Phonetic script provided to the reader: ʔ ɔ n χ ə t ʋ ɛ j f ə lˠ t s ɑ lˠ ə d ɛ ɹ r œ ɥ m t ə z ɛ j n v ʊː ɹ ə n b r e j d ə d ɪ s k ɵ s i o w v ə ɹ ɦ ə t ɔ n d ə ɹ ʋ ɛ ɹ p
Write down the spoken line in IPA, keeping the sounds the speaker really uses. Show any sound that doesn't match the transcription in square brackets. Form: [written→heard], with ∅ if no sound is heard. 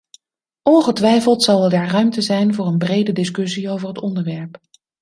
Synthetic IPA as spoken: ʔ ɔ n χ ə t ʋ ɛ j f ə lˠ t s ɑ lˠ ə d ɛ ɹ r œ ɥ m t ə z ɛ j n v ʊː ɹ ə n b r e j d ə d ɪ s k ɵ s i o w v ə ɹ ɦ ə t ɔ n d ə ɹ ʋ ɛ ɹ p

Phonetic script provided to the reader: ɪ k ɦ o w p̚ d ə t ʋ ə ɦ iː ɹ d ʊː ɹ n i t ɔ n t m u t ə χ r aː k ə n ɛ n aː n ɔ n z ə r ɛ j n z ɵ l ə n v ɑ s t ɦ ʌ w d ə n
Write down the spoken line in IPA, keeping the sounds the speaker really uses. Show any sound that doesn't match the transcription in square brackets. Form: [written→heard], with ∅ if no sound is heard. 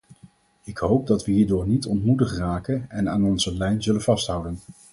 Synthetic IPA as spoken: ɪ k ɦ o w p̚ d [ə→ɑ] t ʋ ə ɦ iː ɹ d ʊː ɹ n i t ɔ n t m u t ə χ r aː k ə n ɛ n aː n ɔ n z ə [r→l] ɛ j n z ɵ l ə n v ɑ s t ɦ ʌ w d ə n

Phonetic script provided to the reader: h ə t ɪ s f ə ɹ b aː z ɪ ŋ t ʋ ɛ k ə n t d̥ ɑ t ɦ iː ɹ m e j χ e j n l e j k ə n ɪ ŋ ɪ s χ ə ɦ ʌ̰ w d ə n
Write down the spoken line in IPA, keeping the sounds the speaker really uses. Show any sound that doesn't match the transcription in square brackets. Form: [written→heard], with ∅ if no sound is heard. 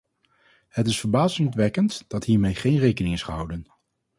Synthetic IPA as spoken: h ə t ɪ s f ə ɹ b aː z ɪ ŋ t ʋ ɛ k ə n t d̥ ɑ t ɦ iː ɹ m e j χ e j n [l→r] e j k ə n ɪ ŋ ɪ s χ ə ɦ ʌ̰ w d ə n

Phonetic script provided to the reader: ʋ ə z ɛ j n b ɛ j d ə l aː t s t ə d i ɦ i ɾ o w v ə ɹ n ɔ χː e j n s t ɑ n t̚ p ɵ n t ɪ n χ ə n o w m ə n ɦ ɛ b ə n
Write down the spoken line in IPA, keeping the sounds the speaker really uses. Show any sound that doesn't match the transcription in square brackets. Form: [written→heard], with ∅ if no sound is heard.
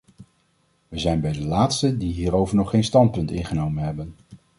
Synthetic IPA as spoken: ʋ ə z ɛ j n b ɛ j d ə l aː t s t ə d i ɦ [i→iː] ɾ o w v ə ɹ n ɔ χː e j n s t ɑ n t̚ p ɵ n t ɪ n χ ə n o w m ə n ɦ ɛ b ə n

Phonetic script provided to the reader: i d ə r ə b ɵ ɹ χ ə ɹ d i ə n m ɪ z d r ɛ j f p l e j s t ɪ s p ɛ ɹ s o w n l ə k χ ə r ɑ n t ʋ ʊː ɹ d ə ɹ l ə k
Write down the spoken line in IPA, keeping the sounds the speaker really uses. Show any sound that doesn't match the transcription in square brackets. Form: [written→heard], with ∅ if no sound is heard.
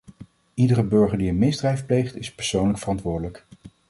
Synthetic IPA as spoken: i d ə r ə b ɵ ɹ χ ə ɹ d i ə n m ɪ z d r ɛ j f p l e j [s→χ] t ɪ s p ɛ ɹ s o w n l ə k [χ→f] ə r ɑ n t ʋ ʊː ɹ d ə [ɹ→∅] l ə k

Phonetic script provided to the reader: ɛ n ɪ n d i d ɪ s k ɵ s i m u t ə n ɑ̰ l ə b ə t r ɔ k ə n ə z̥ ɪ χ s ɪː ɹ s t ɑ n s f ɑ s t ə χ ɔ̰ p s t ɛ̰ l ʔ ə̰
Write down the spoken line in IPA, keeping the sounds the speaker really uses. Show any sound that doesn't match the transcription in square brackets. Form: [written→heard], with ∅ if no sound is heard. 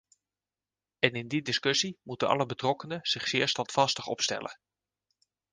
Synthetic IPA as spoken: ɛ n ɪ n d i d ɪ s k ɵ s i m u t ə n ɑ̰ l ə b ə t r ɔ k ə n ə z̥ ɪ χ s ɪː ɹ s t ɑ n [s→t] f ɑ s t ə χ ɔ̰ p s t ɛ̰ l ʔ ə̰

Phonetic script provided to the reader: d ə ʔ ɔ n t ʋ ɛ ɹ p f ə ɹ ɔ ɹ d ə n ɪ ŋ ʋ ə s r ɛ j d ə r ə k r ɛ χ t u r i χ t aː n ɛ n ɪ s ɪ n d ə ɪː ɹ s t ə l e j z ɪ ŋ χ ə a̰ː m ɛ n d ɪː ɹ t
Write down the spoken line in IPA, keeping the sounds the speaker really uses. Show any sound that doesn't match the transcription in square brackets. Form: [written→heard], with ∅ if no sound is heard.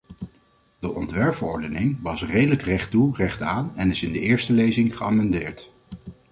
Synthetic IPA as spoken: d ə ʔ ɔ n t ʋ ɛ ɹ p f ə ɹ ɔ ɹ d ə n ɪ ŋ ʋ [ə→ɑ] s r [ɛ→e] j d ə [r→l] ə k r ɛ χ t u r [i→ɛ] χ t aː n ɛ n ɪ s ɪ n d ə ɪː ɹ s t ə l e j z ɪ ŋ χ ə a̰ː m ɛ n d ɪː ɹ t

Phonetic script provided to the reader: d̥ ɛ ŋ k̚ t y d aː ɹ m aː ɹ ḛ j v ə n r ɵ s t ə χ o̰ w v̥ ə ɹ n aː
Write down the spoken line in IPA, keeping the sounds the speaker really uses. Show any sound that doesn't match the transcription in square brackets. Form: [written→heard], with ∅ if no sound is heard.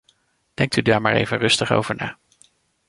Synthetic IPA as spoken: d̥ ɛ ŋ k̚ t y d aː ɹ m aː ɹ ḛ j v ə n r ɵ s t ə χ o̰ w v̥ ə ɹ n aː

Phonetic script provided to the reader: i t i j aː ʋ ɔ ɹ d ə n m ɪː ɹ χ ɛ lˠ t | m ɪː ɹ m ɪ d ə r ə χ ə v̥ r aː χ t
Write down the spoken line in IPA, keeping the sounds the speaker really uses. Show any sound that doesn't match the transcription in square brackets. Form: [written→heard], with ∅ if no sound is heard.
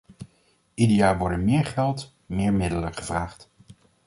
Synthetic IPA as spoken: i [t→d] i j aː ʋ ɔ ɹ d ə n m ɪː ɹ χ ɛ lˠ t | m ɪː ɹ m ɪ d ə [r→l] ə χ ə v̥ r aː χ t

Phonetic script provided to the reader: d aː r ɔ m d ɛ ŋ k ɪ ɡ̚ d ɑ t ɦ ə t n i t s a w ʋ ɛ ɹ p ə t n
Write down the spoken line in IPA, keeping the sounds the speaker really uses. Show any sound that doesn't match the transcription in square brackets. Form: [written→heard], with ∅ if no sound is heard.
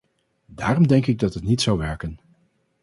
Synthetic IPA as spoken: d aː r ɔ m d ɛ ŋ k ɪ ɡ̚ d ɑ t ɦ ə t n i t s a w ʋ ɛ ɹ [p→k] ə [t→∅] n

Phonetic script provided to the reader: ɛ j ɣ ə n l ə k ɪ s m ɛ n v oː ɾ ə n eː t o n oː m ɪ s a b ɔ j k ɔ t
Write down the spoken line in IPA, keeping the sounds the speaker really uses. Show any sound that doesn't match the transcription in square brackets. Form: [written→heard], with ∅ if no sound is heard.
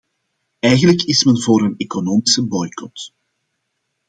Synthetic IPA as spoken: ɛ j ɣ ə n l ə k ɪ s m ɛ n v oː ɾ ə n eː [t→k] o n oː m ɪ s [a→ə] b ɔ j k ɔ t

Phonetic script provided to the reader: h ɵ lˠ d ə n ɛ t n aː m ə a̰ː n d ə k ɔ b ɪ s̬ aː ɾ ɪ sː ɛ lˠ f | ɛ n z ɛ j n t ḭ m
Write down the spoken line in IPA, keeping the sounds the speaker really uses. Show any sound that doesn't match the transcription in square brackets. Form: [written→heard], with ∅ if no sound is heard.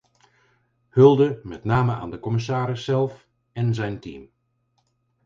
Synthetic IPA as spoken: h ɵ lˠ d ə [n→m] ɛ t n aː m ə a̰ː n d ə k ɔ [b→m] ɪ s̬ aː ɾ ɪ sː ɛ lˠ f | ɛ n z ɛ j n t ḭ m

